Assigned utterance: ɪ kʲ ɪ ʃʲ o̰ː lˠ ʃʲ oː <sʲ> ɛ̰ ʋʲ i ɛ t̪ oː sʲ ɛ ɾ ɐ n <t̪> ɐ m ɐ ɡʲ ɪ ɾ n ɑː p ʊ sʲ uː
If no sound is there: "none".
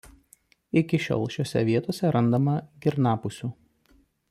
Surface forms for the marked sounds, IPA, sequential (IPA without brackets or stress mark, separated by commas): sʲ, d̪